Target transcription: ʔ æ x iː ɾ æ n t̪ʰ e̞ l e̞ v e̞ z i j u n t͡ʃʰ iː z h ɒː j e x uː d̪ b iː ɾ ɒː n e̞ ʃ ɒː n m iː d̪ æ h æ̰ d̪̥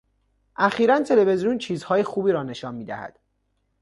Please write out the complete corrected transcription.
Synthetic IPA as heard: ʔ æ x iː ɾ æ n t̪ʰ e̞ l e̞ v e̞ z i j u n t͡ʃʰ iː z h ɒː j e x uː b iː ɾ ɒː n e̞ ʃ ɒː n m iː d̪ æ h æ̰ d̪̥